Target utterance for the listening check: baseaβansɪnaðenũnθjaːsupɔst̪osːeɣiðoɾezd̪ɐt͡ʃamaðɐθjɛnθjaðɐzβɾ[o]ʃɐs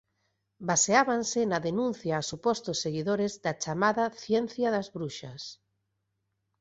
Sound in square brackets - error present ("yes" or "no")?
yes